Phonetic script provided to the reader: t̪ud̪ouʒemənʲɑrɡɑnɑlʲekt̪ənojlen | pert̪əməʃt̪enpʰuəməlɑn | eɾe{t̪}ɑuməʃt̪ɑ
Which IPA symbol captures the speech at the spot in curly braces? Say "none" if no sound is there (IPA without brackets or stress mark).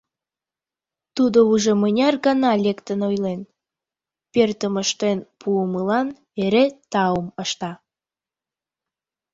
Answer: t̪